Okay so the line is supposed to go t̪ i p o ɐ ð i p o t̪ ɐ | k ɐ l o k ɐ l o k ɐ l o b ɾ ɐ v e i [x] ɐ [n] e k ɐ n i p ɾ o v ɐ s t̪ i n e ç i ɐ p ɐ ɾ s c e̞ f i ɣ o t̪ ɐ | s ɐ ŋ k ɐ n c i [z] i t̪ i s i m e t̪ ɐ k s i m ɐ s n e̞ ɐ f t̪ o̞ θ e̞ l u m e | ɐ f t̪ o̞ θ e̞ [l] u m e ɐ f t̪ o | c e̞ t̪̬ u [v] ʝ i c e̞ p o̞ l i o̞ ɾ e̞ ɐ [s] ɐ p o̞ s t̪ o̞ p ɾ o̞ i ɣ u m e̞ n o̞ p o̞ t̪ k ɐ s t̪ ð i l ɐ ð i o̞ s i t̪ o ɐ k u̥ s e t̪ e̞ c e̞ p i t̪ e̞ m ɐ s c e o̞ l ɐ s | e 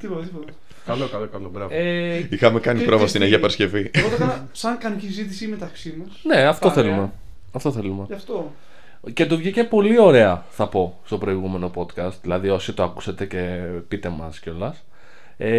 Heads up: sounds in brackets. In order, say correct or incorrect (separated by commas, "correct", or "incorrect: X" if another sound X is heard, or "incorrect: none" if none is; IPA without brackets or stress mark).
correct, incorrect: m, correct, correct, correct, incorrect: θ